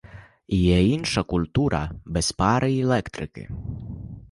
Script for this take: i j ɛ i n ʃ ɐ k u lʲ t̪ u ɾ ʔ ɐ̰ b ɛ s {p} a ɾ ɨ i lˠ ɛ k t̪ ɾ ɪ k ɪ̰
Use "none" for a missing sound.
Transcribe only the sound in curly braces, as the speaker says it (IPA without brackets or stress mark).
p